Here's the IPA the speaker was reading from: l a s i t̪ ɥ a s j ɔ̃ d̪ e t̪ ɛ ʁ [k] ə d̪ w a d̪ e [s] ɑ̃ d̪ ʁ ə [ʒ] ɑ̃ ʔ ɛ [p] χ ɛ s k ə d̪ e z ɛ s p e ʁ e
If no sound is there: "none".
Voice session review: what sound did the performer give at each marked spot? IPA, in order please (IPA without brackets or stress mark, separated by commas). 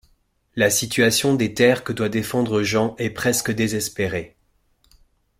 k, f, ʒ, p